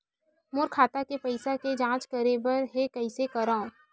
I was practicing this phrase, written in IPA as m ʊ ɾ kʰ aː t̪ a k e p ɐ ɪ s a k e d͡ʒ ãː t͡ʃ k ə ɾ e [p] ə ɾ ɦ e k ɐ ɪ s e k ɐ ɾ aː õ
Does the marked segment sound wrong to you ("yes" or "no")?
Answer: yes